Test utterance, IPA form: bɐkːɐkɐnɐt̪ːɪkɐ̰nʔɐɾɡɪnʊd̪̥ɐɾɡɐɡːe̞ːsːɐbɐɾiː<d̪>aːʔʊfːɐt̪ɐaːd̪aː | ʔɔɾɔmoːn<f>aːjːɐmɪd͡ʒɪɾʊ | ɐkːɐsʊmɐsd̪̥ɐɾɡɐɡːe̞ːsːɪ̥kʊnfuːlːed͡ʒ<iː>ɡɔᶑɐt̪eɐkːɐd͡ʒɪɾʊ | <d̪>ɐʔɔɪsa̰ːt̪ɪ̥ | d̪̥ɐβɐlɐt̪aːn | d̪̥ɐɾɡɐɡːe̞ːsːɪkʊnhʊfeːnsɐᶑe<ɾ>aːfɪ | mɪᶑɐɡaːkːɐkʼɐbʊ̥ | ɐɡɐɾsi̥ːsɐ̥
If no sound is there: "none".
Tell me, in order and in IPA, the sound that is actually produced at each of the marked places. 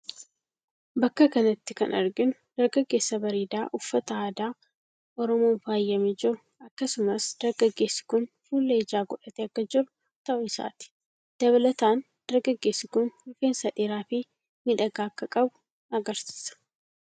d̪, f, aː, t̪, ɾ

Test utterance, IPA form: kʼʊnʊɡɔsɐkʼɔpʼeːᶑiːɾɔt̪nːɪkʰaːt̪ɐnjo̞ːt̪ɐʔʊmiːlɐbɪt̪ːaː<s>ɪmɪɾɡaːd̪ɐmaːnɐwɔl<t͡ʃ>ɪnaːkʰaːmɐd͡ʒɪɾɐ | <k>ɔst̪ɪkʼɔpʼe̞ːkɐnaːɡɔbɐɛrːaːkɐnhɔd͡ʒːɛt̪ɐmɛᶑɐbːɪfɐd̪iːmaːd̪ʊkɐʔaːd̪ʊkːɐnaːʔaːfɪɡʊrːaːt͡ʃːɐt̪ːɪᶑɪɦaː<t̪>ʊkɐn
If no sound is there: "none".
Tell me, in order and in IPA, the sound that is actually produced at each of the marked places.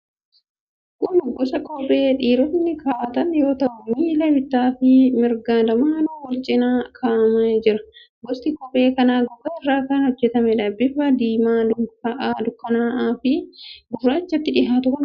f, t͡ʃʼ, ɡ, t̪

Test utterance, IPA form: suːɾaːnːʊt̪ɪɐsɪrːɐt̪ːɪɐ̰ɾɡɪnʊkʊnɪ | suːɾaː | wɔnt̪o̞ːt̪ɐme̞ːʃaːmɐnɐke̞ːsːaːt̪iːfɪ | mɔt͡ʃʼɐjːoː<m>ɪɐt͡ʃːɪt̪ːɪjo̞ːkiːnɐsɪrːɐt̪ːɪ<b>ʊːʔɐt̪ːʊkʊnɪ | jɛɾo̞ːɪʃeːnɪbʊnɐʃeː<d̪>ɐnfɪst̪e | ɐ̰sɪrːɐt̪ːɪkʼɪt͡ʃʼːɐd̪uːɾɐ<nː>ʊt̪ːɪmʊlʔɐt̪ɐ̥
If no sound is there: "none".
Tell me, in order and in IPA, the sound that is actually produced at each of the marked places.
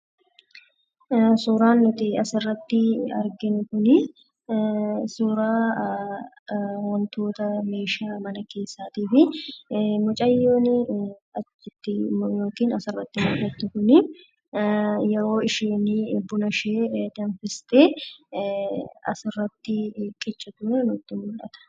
n, m, d̪, n

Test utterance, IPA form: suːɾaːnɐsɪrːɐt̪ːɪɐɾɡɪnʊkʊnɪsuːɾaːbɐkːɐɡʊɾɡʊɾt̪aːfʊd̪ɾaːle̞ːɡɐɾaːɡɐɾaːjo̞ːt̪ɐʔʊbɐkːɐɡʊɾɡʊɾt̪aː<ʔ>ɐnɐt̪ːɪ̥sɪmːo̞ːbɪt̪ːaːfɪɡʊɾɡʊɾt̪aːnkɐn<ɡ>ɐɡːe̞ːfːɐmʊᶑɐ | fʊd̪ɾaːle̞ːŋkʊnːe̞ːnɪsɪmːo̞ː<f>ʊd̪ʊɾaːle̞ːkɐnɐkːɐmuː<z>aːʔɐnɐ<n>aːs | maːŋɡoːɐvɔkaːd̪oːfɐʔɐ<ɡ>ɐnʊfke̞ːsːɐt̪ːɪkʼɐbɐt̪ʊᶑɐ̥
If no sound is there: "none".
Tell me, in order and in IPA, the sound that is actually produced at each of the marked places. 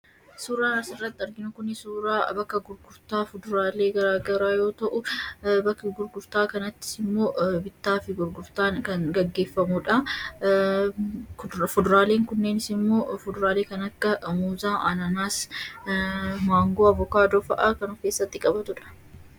k, ɡ, f, z, n, k

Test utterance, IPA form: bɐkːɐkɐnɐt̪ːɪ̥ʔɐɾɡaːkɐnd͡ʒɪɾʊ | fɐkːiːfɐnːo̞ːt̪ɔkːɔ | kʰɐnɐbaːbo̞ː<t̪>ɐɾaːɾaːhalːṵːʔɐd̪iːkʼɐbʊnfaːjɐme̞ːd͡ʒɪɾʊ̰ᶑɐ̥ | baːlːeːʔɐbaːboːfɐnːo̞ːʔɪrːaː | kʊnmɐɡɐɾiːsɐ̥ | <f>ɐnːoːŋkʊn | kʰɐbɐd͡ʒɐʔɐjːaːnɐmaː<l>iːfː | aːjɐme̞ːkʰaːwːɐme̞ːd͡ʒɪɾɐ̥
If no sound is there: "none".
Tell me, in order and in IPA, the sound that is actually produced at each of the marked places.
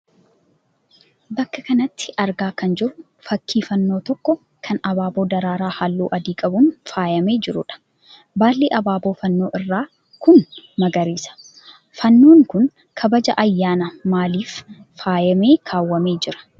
d̪, f, l

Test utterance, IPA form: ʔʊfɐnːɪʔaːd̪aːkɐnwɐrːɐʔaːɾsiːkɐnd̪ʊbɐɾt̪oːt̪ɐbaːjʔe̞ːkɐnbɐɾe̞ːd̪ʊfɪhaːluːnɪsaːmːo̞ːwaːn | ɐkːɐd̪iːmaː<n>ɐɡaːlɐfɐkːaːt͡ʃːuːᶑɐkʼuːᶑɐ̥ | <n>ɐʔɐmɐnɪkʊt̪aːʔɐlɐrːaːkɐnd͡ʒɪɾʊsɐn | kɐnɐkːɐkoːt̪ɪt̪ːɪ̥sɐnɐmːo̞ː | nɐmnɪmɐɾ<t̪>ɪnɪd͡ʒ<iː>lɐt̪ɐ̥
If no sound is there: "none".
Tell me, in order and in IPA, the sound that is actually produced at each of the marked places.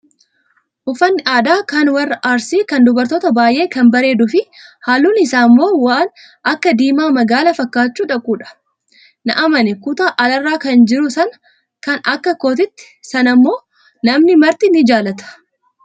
m, n, t̪, aː

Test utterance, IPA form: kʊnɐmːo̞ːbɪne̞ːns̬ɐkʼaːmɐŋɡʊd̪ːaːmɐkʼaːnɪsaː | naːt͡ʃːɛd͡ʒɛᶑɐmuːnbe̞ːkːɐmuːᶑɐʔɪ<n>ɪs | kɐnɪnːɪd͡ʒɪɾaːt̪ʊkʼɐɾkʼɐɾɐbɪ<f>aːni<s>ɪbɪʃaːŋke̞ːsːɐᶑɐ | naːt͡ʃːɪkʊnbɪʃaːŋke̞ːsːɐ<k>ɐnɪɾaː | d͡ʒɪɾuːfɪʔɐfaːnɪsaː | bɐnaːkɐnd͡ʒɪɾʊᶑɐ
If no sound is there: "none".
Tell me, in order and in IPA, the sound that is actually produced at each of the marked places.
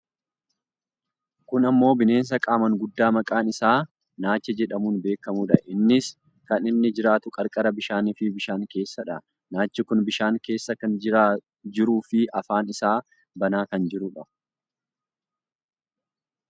nː, ʃ, f, k

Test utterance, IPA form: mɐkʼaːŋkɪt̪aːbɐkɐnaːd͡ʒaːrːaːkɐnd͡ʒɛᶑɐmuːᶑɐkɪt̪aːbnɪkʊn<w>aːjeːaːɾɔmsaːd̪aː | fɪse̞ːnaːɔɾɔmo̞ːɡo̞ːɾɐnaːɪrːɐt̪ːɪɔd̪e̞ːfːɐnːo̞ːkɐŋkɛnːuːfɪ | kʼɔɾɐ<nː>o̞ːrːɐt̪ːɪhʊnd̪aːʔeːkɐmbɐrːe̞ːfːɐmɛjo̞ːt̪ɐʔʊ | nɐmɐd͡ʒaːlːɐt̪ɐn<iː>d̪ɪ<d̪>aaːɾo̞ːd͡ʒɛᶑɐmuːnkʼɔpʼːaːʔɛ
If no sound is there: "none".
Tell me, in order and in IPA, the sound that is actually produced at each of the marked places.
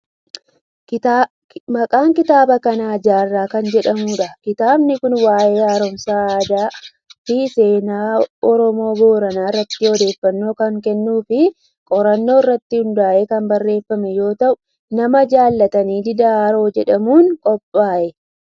w, nː, iː, d̪

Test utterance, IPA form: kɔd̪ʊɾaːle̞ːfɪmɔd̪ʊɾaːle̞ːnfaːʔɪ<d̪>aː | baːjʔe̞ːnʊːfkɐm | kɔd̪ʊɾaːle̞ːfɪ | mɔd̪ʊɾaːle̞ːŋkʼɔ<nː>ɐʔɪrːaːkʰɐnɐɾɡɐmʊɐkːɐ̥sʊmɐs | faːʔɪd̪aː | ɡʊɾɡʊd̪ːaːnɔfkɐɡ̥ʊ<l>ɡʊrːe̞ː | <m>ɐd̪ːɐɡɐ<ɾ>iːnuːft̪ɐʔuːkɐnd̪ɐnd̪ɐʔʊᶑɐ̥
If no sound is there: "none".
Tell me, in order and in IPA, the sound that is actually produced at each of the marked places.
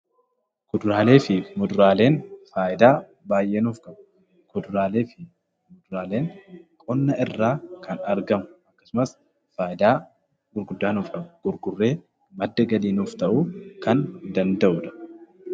d̪, nː, ɾ, m, l

